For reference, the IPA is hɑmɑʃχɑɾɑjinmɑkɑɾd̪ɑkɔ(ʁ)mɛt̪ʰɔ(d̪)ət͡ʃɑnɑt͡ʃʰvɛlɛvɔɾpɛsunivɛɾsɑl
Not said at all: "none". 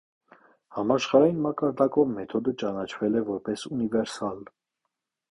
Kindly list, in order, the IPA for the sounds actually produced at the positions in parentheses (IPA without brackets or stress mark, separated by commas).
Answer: v, d̪